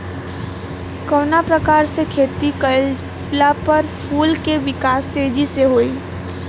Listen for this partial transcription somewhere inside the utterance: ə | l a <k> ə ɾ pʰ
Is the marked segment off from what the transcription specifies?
yes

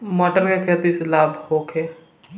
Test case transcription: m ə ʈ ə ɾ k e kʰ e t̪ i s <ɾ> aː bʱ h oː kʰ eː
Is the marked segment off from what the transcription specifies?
yes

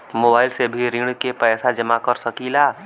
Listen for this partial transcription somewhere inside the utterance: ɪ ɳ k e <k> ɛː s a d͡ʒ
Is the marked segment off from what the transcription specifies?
yes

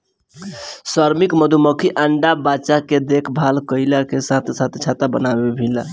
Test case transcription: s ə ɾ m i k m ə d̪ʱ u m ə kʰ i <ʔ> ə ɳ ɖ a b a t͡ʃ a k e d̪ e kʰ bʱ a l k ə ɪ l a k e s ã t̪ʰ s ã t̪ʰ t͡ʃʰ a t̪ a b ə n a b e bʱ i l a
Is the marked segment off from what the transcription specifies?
no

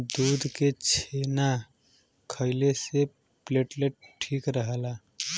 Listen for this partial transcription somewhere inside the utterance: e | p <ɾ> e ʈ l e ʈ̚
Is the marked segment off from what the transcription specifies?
yes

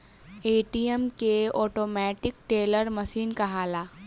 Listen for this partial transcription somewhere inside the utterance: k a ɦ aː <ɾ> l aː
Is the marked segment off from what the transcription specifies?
yes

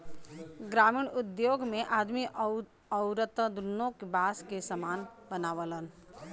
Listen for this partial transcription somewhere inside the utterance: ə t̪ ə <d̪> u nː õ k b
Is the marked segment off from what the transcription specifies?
no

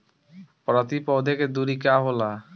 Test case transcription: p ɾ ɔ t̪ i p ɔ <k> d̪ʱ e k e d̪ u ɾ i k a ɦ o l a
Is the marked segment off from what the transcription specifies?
yes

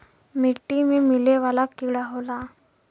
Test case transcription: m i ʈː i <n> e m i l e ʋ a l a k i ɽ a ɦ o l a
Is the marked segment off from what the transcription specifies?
yes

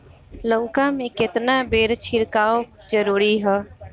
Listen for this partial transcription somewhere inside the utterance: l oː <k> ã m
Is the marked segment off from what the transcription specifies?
no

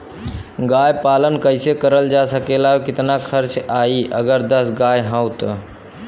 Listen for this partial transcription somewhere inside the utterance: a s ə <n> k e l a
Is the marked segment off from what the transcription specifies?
yes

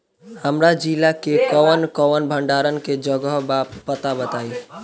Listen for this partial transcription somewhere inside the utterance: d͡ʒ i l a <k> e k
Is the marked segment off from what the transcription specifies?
no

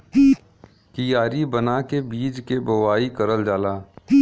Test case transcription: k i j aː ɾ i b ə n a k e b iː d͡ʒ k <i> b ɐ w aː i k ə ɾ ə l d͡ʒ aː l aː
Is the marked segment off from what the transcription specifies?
yes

